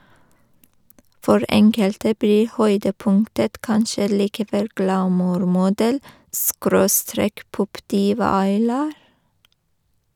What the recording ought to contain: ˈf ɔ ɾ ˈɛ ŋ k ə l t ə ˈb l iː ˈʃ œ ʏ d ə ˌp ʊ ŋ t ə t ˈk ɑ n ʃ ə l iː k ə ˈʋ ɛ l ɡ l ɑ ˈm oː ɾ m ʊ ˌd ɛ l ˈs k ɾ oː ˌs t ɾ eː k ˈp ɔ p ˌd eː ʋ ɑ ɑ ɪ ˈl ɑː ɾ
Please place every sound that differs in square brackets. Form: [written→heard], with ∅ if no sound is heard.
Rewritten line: ˈf ɔ [ɾ→ɹ] ˈɛ ŋ k ə l t ə ˈb l iː [ˈʃ→ˈh] œ ʏ d ə ˌp ʊ ŋ t ə t ˈk ɑ n ʃ ə l iː k ə ˈʋ ɛ l ɡ l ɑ ˈm [oː→uː] ɾ m ʊ ˌd ɛ l ˈs k ɾ oː ˌs t ɾ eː k ˈp ɔ p ˌd [eː→iː] ʋ ɑ ɑ ɪ ˈl ɑː ɾ